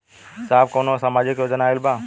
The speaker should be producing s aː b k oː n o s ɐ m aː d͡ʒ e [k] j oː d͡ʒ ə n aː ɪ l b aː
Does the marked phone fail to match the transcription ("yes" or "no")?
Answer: no